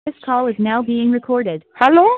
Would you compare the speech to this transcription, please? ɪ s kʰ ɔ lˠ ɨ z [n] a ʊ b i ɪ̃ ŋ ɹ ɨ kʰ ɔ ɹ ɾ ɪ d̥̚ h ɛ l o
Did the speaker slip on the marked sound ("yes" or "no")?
no